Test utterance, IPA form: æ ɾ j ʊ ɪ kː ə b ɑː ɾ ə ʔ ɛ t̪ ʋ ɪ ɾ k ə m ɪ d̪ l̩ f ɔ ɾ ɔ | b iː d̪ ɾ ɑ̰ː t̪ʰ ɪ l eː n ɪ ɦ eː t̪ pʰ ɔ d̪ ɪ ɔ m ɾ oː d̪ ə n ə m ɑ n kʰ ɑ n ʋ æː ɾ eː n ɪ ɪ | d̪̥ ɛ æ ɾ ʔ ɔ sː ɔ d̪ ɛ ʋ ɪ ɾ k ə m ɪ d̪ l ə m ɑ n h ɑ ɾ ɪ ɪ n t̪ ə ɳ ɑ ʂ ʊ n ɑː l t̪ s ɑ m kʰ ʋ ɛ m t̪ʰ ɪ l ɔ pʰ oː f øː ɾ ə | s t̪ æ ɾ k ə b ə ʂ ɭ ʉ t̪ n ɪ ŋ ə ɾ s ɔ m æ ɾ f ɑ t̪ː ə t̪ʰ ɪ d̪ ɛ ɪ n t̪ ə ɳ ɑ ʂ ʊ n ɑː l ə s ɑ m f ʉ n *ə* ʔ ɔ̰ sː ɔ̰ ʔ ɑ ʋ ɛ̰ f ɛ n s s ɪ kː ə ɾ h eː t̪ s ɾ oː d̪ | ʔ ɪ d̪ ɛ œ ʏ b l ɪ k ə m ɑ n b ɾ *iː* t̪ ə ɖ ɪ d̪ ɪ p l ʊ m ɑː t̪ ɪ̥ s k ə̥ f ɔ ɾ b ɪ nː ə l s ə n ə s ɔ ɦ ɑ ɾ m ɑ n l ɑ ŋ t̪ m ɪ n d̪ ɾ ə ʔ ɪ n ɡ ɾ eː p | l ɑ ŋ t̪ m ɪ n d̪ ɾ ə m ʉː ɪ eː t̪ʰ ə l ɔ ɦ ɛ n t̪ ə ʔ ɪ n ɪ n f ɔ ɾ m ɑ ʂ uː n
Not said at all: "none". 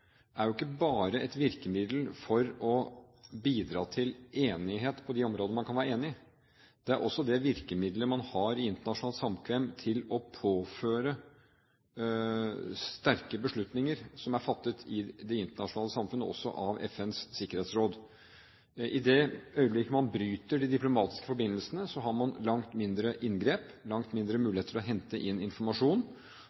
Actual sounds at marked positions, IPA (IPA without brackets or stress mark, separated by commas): ə, yː